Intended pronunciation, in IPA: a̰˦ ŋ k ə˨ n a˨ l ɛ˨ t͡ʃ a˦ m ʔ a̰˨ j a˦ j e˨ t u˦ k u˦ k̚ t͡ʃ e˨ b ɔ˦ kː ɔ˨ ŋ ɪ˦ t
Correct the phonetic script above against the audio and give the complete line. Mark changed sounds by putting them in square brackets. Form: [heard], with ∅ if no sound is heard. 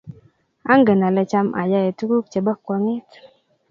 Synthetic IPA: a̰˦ ŋ [ɡ] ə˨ n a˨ l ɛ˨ t͡ʃ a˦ m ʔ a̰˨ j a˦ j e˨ t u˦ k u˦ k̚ t͡ʃ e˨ b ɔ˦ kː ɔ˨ ŋ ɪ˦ t